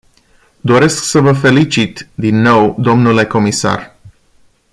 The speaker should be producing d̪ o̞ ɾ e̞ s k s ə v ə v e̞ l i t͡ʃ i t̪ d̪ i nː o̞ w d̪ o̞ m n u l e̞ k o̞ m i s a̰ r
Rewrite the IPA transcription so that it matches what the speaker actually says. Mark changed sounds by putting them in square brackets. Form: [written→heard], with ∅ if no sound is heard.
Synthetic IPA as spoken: d̪ o̞ ɾ e̞ s k s ə v ə [v→f] e̞ l i t͡ʃ i t̪ d̪ i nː o̞ w d̪ o̞ m n u l e̞ k o̞ m i s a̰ r